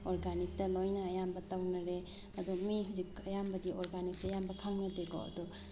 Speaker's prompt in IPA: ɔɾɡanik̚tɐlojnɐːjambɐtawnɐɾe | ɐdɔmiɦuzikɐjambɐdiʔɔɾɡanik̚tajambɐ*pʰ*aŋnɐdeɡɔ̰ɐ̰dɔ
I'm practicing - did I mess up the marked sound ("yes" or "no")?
yes